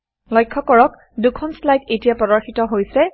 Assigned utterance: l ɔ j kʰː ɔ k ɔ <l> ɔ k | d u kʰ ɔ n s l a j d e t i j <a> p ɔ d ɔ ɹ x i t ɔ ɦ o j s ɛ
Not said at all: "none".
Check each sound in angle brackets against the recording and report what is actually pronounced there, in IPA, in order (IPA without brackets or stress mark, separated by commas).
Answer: ɹ, a